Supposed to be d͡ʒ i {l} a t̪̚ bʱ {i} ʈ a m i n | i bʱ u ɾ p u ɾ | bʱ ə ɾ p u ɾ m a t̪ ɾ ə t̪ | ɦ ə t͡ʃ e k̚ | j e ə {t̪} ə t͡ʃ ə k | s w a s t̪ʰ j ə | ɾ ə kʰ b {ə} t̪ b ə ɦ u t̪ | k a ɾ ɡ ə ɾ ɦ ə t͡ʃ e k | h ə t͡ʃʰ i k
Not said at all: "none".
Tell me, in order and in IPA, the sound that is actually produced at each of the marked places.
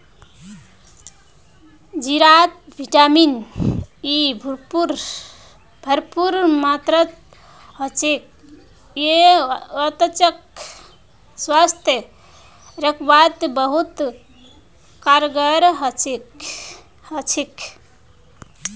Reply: ɾ, i, t̪, a

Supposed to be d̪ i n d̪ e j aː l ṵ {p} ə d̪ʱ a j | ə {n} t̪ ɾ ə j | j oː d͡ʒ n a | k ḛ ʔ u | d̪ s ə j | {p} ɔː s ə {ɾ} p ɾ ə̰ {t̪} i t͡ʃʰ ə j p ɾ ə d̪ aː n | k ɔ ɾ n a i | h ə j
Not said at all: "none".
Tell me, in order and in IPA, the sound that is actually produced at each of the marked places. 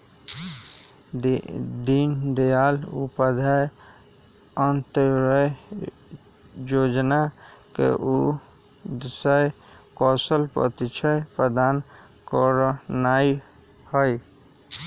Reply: p, n, k, l, t̪

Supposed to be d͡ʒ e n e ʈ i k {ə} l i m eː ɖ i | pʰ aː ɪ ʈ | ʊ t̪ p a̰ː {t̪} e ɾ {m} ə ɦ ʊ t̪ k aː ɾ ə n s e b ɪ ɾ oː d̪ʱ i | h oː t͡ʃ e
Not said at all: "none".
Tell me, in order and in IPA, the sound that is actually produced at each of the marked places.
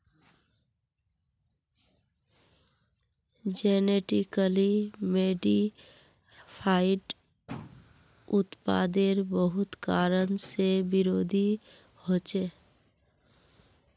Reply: ə, d̪, b

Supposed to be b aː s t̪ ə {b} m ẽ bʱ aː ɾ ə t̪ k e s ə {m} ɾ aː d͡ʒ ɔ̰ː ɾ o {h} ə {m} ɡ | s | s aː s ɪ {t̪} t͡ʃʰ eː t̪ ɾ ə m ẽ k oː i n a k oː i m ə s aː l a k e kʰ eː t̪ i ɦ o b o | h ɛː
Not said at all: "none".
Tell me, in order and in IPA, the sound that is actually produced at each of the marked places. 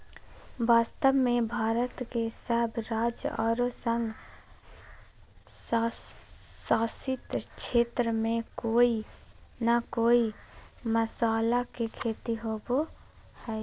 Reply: b, b, s, ŋ, t̪

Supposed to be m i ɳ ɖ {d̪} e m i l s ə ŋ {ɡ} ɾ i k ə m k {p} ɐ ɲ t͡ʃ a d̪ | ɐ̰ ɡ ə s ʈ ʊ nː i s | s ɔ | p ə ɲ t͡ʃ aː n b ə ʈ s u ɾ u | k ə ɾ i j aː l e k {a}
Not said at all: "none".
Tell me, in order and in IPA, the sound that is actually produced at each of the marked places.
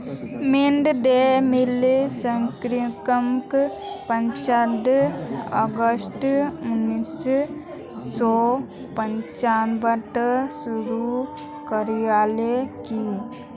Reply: d̪, k, p, i

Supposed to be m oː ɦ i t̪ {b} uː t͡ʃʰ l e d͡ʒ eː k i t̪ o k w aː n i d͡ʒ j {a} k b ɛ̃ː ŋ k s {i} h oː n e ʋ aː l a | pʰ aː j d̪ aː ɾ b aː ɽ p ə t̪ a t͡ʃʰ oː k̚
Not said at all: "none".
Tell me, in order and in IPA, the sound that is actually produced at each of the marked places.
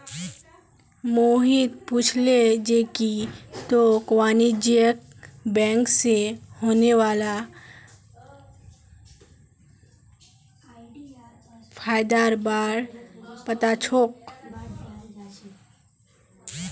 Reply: p, ə, e

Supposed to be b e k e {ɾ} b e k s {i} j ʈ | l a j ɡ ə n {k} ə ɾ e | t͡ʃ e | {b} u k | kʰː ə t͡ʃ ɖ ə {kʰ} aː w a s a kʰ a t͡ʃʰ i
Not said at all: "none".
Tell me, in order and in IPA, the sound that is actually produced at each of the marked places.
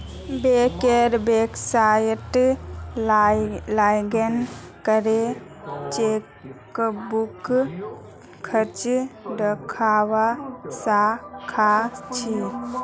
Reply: ɾ, a, k, b, kʰ

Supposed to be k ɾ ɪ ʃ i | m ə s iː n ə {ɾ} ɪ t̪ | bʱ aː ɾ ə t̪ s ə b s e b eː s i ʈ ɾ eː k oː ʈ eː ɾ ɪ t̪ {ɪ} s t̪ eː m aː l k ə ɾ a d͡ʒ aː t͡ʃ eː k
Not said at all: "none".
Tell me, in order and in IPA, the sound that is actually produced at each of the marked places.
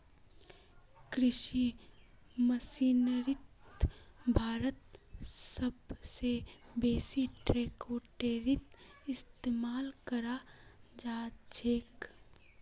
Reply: ɾ, ɪ

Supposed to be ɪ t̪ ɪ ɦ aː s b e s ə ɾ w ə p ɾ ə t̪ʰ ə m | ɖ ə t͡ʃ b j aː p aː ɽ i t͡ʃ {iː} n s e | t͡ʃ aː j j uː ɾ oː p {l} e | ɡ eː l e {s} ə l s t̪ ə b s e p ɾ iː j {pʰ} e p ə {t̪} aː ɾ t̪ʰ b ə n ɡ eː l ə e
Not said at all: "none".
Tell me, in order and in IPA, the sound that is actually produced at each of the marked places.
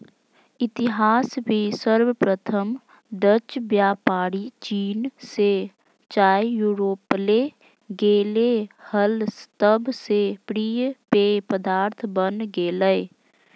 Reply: iː, l, h, p, d̪

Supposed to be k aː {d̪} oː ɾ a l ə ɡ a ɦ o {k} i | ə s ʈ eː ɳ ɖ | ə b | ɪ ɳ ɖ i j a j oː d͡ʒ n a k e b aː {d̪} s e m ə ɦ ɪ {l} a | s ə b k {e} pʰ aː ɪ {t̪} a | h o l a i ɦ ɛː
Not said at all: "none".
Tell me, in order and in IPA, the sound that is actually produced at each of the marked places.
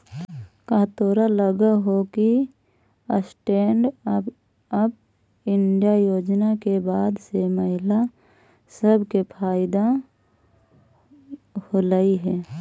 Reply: t̪, k, d̪, l, e, d̪

